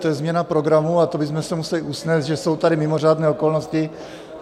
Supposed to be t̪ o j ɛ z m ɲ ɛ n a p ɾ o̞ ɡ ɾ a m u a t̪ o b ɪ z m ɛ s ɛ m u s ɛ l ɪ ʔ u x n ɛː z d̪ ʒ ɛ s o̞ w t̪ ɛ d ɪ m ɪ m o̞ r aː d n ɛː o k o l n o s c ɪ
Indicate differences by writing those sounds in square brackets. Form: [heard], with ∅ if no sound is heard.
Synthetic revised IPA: t̪ o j ɛ z m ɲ ɛ n a p ɾ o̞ ɡ ɾ a m u a t̪ o b ɪ z m ɛ s ɛ m u s ɛ l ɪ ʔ u [s] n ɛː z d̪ ʒ ɛ s o̞ w t̪ [a] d ɪ m ɪ m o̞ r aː d n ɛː o k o l n o s c ɪ